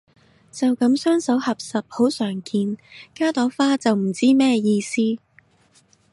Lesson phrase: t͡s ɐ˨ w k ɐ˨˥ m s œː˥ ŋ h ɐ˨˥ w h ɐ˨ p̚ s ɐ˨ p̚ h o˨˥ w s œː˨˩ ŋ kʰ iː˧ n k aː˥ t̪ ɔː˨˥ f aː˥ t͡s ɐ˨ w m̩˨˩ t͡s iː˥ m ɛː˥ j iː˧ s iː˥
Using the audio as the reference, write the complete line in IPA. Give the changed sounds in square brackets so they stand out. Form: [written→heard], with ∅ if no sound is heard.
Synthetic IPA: t͡s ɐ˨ w k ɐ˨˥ m s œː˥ ŋ [h→s] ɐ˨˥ w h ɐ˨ p̚ s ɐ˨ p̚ h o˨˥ w s œː˨˩ ŋ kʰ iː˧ n k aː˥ t̪ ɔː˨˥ f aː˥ t͡s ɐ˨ w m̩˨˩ t͡s iː˥ m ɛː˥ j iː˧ s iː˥

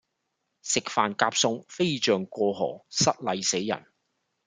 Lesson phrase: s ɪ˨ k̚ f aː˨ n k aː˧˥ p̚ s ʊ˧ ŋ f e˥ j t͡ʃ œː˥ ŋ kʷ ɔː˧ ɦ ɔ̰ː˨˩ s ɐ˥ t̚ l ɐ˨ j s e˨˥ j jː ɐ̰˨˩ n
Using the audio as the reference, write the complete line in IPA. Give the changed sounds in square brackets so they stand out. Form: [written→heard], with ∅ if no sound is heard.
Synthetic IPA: s ɪ˨ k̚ f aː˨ n k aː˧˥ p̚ s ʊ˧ ŋ f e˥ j t͡ʃ [œː˥→œː˨] ŋ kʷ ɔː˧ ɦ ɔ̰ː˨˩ s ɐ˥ t̚ l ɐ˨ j s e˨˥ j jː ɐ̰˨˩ n

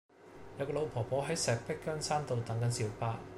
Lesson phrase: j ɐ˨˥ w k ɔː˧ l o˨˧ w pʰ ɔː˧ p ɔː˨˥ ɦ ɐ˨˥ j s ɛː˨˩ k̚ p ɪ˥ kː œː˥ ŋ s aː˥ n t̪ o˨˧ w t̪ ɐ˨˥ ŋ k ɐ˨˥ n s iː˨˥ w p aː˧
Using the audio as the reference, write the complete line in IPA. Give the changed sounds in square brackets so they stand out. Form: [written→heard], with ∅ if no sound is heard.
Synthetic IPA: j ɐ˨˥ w k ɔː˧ l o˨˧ w pʰ [ɔː˧→ɔː˨˩] p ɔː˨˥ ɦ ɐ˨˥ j s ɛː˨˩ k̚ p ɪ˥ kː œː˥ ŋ s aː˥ n t̪ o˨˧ w t̪ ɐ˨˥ ŋ k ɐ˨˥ n s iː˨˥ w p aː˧

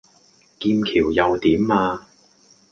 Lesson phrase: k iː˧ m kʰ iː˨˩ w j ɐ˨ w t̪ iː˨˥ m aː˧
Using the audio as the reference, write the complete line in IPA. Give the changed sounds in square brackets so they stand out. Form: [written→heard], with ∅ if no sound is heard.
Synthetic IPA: k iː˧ m kʰ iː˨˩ w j ɐ˨ w t̪ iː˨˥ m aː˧

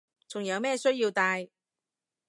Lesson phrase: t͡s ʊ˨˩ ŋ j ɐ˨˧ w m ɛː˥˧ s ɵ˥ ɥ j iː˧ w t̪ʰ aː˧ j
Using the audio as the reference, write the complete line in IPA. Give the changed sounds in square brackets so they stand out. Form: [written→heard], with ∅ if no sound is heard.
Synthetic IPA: t͡s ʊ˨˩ ŋ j ɐ˨˧ w m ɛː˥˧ s ɵ˥ ɥ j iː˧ w [t̪ʰ→t̪] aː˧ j

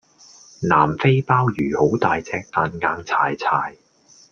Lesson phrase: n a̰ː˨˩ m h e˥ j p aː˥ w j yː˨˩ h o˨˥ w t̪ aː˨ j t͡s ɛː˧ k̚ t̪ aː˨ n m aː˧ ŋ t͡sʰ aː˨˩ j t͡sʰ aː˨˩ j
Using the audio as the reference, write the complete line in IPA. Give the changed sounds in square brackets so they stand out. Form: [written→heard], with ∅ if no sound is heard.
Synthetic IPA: n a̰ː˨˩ m [h→f] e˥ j p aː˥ w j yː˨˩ h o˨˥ w t̪ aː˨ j t͡s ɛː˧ k̚ t̪ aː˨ n [m→ŋ] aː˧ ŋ t͡sʰ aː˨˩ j t͡sʰ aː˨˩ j

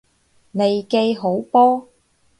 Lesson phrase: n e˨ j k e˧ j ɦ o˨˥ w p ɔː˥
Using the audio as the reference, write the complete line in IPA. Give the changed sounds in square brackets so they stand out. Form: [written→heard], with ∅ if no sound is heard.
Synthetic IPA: n e˨ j k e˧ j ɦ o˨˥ w p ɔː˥

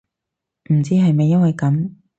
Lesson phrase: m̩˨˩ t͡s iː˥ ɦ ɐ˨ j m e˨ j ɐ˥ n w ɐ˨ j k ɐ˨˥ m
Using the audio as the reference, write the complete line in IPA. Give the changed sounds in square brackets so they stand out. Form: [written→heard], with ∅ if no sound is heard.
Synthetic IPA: m̩˨˩ t͡s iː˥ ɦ ɐ˨ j m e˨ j ɐ˥ n w ɐ˨ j k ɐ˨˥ m

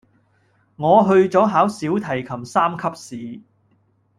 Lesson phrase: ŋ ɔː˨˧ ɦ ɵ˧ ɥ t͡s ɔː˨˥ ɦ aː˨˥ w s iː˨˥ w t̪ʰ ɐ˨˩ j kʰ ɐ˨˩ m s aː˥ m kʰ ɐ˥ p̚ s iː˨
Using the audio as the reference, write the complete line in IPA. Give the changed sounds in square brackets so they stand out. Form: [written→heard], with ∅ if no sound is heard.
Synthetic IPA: ŋ ɔː˨˧ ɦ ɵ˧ ɥ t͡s ɔː˨˥ ɦ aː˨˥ w s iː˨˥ w t̪ʰ ɐ˨˩ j kʰ ɐ˨˩ m s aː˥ m kʰ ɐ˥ p̚ s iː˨

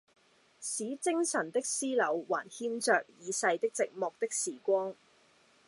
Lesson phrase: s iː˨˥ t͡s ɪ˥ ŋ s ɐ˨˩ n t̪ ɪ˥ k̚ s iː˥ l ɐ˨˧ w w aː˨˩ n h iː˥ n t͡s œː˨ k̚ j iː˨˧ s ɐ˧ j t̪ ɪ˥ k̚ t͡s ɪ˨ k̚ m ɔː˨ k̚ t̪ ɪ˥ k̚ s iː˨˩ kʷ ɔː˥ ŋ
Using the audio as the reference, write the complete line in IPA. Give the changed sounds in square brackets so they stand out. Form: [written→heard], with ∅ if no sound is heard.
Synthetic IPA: s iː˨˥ t͡s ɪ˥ ŋ s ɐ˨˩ n t̪ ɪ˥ k̚ s iː˥ l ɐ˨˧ w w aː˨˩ n h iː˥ n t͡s œː˨ k̚ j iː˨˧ s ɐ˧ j t̪ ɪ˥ k̚ t͡s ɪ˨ k̚ m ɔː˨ k̚ t̪ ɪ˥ k̚ s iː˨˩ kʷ ɔː˥ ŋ

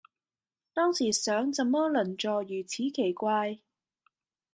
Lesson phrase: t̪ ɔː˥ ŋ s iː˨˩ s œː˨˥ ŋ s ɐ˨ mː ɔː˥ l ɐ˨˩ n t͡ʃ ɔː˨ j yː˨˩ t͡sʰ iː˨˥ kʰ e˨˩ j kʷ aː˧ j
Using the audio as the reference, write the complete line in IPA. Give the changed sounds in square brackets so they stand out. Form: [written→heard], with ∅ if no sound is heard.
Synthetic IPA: t̪ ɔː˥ ŋ s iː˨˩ s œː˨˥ ŋ [s→t͡s] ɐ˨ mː ɔː˥ l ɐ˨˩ n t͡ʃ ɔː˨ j yː˨˩ t͡sʰ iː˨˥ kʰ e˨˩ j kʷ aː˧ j

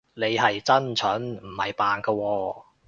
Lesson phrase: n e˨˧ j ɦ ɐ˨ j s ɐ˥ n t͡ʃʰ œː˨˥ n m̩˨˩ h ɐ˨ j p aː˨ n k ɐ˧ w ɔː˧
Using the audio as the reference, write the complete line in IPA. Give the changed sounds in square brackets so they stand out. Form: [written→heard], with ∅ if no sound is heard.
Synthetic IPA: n e˨˧ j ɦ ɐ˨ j [s→t͡s] ɐ˥ n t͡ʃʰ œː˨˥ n m̩˨˩ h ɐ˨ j p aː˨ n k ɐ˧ w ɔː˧

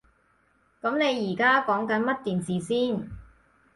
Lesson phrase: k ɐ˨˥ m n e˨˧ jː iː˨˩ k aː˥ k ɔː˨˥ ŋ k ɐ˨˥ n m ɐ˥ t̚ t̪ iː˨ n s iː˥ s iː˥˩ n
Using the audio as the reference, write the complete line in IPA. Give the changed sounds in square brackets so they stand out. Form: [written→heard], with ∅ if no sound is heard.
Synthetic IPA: k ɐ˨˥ m n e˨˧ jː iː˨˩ k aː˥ k ɔː˨˥ ŋ k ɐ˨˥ n m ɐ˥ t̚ t̪ iː˨ n s [iː˥→iː˨˩] s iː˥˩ n

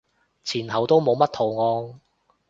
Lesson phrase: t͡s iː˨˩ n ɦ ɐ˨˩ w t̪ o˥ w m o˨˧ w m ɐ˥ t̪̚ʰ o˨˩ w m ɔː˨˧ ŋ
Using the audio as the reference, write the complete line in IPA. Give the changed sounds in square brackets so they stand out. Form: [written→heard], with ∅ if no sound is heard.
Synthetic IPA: [t͡s→t͡sʰ] iː˨˩ n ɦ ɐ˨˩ w t̪ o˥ w m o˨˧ w m ɐ˥ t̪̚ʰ o˨˩ w [m→ŋ] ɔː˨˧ ŋ

